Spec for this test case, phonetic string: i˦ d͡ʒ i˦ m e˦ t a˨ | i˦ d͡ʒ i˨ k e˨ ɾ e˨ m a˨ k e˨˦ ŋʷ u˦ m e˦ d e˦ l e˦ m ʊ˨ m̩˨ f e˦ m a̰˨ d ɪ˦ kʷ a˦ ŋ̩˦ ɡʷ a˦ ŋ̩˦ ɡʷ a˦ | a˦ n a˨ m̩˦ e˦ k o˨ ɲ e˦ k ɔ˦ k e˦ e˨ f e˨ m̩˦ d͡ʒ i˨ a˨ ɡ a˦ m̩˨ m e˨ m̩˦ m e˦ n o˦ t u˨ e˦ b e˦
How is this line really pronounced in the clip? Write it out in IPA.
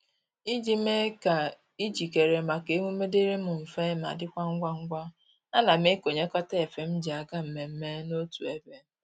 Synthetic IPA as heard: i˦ d͡ʒ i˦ m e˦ k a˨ | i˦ d͡ʒ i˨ k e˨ ɾ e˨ m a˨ k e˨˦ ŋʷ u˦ m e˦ d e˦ ɾ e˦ m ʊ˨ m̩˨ f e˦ m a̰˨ d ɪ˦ kʷ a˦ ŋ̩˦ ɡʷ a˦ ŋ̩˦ ɡʷ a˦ | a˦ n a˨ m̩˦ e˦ k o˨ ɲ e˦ k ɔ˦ t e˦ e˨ f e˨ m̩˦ d͡ʒ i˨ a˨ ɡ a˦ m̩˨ m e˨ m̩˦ m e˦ n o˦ t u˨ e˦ b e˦